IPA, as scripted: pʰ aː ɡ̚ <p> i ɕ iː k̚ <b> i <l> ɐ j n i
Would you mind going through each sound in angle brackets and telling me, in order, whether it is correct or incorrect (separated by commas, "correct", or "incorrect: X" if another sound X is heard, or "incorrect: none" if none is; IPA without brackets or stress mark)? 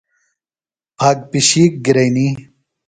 correct, incorrect: ɡ, incorrect: ɾ